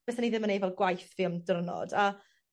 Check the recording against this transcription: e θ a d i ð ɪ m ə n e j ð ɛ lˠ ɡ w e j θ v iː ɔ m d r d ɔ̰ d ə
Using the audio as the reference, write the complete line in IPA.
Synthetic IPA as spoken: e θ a n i ð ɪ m ə n e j v ɛ lˠ ɡ w a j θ v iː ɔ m d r n ɔ̰ d a